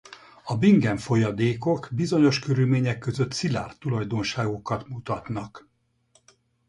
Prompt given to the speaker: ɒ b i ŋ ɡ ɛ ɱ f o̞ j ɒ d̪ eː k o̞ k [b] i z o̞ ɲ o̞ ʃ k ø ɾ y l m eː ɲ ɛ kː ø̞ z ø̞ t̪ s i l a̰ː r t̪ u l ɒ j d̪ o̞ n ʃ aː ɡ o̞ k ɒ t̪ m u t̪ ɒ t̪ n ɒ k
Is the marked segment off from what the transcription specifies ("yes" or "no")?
no